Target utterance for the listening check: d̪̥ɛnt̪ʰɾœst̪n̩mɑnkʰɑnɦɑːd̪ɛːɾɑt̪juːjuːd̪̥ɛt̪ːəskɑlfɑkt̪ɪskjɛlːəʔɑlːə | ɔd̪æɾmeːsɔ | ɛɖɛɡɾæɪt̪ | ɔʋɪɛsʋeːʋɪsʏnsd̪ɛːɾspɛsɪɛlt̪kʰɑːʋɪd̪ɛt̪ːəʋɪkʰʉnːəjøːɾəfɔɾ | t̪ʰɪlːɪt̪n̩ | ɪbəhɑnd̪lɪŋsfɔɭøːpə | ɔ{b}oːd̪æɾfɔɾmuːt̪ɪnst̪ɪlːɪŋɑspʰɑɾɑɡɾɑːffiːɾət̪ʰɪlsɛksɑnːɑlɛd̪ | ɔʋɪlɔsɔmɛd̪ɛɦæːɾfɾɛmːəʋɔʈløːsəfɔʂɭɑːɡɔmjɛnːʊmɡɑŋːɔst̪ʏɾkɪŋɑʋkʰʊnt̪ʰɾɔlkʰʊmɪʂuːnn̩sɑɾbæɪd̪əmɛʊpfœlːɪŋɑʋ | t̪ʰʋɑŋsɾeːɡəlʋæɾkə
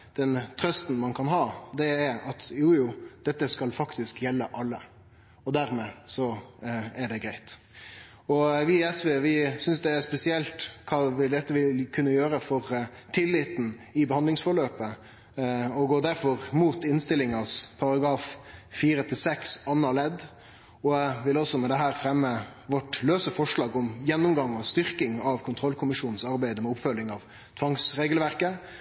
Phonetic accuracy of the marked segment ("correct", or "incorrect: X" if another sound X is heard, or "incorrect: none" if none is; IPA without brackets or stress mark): incorrect: ɡ